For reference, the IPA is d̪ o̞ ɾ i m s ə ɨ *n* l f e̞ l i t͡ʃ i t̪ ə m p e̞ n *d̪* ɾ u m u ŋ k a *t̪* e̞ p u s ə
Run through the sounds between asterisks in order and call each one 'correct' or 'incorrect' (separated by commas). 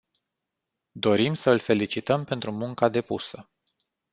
incorrect, incorrect, incorrect